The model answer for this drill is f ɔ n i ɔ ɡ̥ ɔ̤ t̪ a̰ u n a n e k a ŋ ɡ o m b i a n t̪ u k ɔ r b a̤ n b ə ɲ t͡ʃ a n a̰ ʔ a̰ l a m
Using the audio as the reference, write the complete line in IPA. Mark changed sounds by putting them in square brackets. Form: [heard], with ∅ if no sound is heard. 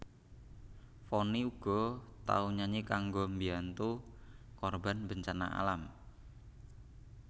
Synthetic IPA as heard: f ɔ n i [u] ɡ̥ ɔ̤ t̪ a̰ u [ɲ] a [ɲ] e k a ŋ ɡ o m b i a n t̪ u k ɔ r b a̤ n b ə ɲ t͡ʃ a n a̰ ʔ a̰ l a m